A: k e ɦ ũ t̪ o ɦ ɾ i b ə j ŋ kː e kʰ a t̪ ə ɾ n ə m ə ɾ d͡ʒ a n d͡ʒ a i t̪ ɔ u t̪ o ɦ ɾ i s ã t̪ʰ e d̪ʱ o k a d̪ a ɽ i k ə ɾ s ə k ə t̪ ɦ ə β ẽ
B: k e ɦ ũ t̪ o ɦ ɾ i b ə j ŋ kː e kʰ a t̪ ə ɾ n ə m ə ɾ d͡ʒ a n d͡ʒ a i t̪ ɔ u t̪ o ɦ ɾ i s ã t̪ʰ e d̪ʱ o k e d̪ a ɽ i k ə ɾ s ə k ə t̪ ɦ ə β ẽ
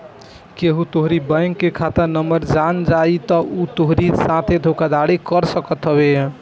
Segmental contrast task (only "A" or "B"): A